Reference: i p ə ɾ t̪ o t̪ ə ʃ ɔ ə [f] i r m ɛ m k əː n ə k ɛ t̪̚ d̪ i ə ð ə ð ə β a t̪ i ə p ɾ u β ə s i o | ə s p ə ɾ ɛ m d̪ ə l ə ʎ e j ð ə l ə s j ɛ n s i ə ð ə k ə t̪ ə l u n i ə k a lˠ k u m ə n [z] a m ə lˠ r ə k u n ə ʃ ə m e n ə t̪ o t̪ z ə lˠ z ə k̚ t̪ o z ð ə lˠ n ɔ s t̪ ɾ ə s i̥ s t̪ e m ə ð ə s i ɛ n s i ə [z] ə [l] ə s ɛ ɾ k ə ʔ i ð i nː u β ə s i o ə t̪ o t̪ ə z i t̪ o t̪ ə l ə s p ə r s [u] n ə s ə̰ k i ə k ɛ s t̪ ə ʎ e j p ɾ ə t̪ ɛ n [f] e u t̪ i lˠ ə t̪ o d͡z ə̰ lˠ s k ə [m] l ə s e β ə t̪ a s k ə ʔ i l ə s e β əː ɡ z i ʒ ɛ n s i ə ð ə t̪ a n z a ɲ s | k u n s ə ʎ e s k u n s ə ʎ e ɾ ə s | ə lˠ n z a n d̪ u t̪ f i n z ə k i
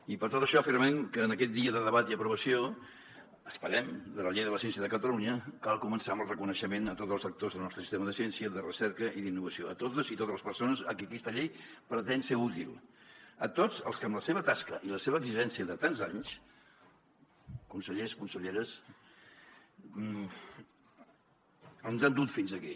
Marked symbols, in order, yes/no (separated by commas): yes, no, no, no, no, no, yes